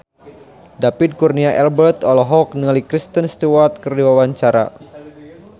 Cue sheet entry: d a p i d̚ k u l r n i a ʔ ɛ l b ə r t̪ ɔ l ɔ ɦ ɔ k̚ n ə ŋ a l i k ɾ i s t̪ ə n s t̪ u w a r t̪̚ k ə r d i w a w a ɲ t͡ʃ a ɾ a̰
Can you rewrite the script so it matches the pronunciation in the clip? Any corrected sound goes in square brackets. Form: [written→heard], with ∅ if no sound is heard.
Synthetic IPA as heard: d a p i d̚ k u [l→∅] r n i a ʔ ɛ l b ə r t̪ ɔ l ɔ ɦ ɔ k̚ n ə ŋ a l i k ɾ i s t̪ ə n s t̪ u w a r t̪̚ k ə r d i w a w a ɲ t͡ʃ a ɾ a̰